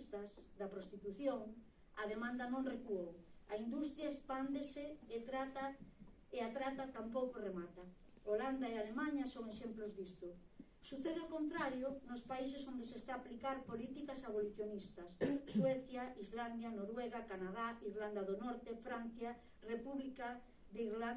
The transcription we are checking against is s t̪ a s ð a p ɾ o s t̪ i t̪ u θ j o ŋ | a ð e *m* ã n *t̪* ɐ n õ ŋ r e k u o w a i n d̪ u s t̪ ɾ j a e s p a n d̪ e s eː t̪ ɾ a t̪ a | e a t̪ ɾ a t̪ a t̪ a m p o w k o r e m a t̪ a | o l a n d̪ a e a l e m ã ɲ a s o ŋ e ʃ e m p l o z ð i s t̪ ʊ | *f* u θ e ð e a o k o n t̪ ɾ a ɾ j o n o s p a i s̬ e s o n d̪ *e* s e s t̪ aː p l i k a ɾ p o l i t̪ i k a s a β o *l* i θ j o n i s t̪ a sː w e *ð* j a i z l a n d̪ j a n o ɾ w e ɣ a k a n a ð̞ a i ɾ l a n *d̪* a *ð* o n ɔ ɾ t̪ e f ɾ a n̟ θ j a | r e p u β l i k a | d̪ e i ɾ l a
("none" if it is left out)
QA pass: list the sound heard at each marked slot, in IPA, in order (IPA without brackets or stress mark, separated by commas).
m, d̪, s, e, l, θ, d̪, ð